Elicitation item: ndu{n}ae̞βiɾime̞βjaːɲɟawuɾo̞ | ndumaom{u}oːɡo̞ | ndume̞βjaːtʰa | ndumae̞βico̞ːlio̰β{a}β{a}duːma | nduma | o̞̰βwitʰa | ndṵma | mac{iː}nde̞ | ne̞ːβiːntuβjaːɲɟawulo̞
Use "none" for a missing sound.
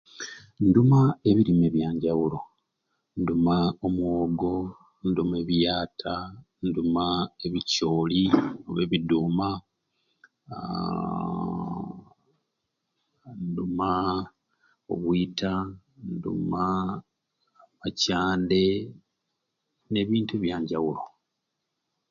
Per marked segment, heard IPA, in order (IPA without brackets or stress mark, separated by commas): m, w, e, i, aː